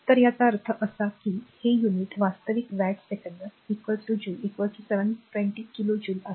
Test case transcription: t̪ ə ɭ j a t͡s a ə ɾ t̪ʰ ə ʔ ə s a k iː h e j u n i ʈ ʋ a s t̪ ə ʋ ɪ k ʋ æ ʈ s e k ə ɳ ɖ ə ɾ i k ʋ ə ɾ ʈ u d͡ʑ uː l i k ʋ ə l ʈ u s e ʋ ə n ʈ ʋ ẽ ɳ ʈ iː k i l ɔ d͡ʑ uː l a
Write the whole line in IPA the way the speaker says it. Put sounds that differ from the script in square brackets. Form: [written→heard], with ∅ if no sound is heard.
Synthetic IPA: t̪ ə [ɭ→ɾ] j a t͡s a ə ɾ t̪ʰ ə ʔ ə s a k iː h e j u n i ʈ ʋ a s t̪ ə ʋ [ɪ→i] k ʋ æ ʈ s e k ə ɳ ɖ ə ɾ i k ʋ ə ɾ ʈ u d͡ʑ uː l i k ʋ ə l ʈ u s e ʋ ə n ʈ ʋ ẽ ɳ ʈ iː k i l [ɔ→o] d͡ʑ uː l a